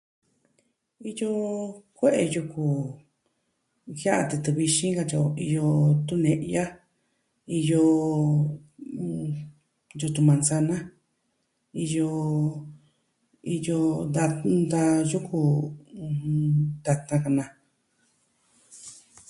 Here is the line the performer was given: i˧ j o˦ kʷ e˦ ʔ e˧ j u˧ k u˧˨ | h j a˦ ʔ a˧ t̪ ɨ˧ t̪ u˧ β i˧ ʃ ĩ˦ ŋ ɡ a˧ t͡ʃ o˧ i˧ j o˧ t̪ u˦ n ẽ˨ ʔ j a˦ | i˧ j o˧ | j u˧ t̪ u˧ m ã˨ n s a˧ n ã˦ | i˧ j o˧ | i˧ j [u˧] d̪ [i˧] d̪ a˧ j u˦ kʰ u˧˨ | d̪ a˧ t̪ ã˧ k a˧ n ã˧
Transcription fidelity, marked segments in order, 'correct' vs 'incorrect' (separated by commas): incorrect, incorrect